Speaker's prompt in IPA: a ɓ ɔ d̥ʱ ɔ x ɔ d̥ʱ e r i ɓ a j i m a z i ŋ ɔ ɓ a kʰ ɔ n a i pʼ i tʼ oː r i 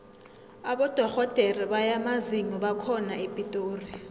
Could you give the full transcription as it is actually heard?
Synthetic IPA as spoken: a ɓ ɔ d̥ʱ ɔ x ɔ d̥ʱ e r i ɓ a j a m a z i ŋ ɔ ɓ a kʰ ɔ n a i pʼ i tʼ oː r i